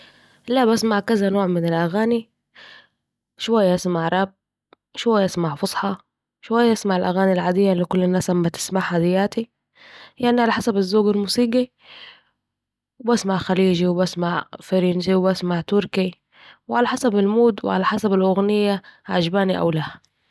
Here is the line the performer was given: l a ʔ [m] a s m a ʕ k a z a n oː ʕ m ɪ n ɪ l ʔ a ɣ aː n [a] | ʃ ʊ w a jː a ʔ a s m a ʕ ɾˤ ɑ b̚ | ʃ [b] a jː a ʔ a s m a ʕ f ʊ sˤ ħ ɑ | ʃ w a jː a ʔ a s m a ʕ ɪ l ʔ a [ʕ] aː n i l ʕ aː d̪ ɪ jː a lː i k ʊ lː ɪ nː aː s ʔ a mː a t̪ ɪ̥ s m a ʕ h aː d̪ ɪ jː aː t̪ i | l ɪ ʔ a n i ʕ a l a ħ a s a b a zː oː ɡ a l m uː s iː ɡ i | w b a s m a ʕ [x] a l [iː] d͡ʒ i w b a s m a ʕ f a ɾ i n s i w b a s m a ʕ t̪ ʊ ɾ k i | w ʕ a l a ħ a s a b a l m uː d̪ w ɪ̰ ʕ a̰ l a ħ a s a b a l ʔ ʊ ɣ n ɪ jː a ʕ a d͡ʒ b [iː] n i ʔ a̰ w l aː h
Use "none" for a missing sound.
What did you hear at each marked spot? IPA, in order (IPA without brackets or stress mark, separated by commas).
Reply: b, i, w, ɣ, x, iː, aː